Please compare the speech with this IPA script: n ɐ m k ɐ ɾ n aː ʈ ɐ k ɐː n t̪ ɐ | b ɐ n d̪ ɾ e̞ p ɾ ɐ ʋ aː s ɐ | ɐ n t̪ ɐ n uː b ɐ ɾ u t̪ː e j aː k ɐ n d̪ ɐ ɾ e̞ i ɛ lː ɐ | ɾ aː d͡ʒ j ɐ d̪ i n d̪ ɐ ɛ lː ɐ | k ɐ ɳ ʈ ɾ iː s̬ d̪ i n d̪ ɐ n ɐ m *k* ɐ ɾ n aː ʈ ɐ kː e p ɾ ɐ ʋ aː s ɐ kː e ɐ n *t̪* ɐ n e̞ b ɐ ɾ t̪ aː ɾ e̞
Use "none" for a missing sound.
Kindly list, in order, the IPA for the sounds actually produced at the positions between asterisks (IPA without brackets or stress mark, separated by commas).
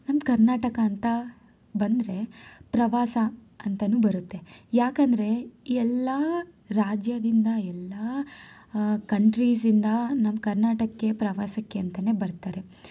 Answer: k, t̪